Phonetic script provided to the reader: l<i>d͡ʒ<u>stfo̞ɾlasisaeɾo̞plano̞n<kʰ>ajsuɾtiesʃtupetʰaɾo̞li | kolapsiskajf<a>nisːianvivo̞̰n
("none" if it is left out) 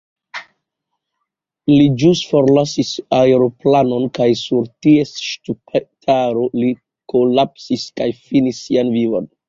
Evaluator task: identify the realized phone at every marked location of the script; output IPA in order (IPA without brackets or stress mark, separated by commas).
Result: i, u, k, i